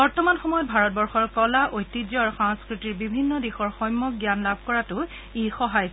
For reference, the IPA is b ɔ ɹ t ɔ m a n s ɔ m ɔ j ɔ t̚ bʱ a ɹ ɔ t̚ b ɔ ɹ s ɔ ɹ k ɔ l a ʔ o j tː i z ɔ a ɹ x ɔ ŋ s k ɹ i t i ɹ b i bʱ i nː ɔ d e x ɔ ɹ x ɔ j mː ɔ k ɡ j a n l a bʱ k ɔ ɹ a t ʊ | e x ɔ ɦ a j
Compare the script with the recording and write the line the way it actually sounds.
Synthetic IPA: b ɔ ɹ t ɔ m a n x ɔ m ɔ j ɔ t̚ bʱ a ɹ ɔ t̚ b ɔ ɹ x ɔ ɹ k ɔ l a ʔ o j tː i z ɔ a ɹ x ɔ ŋ s k ɹ i t i ɹ b i bʱ i nː ɔ d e x ɔ ɹ x ɔ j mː ɔ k ɡ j a n l a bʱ k ɔ ɹ a t ʊ | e x ɔ ɦ a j